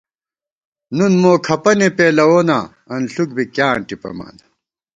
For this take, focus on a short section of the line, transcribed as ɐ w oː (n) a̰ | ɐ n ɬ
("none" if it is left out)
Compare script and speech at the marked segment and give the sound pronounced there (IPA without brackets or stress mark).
n